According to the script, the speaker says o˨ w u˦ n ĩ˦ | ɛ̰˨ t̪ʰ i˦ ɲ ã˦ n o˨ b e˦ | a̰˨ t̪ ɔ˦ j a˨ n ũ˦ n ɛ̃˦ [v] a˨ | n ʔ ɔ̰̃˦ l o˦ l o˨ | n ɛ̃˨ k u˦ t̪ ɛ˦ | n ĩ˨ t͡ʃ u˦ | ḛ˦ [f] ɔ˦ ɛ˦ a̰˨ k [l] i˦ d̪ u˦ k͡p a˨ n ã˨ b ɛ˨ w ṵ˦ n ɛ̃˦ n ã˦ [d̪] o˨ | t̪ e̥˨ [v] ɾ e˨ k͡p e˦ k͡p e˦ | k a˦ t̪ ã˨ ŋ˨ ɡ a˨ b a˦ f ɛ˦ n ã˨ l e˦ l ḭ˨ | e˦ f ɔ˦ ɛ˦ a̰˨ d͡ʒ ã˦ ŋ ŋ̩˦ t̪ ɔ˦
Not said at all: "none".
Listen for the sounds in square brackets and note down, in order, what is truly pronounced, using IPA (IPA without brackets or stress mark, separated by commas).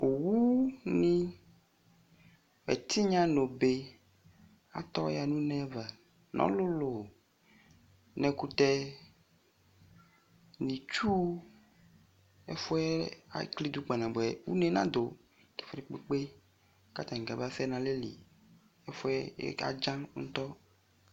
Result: v, f, l, d̪, f